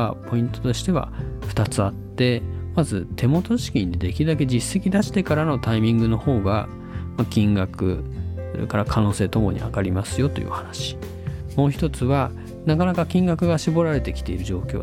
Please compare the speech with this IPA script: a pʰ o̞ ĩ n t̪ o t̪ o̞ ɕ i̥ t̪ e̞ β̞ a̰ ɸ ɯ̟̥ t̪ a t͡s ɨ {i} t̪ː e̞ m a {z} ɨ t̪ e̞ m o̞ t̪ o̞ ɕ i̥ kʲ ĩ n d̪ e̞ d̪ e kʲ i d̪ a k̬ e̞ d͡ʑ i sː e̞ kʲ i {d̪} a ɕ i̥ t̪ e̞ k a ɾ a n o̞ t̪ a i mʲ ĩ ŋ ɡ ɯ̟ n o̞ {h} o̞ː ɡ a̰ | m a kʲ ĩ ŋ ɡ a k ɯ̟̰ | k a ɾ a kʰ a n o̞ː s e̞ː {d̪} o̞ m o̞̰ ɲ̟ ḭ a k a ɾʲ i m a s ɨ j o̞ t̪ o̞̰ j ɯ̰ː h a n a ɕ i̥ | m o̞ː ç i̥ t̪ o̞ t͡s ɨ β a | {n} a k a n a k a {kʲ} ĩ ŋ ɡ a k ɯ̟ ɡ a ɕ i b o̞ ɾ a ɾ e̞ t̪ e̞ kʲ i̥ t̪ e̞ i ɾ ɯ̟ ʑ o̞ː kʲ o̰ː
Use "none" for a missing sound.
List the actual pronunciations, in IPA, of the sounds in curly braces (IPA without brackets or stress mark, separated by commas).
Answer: a, z, d̪, h, t̪, n, kʲ